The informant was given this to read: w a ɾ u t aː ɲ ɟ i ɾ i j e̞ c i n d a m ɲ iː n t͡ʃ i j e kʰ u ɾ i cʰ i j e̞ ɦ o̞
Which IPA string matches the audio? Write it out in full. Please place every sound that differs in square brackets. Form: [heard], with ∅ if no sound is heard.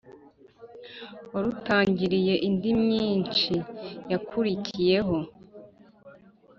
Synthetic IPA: w a ɾ u t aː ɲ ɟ i ɾ i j e̞ [ʔ] i n d [i] m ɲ iː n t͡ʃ i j [a] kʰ u ɾ i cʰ i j e̞ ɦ o̞

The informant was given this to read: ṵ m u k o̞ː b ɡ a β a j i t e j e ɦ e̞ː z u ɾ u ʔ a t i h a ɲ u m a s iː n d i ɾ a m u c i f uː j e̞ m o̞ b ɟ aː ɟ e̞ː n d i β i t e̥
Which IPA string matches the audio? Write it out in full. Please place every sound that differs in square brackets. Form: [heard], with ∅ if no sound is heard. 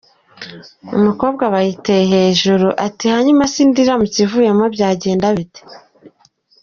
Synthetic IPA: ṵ m u k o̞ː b ɡ a β a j i t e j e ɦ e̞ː [ʒ] u ɾ u ʔ a t i h a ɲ u m a s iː n d i ɾ a m u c i [v] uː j e̞ m o̞ b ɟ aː ɟ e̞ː n d [a] β i t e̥

